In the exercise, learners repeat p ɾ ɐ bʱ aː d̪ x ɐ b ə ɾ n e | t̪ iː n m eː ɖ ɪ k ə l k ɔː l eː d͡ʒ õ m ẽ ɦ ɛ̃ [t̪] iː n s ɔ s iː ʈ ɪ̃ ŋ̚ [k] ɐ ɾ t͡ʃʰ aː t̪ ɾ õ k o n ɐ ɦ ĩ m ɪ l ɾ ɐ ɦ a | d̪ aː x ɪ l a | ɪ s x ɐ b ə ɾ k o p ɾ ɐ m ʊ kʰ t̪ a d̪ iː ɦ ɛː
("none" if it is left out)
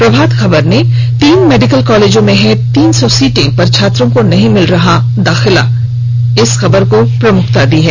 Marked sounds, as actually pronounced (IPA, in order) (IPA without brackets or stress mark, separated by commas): t̪, p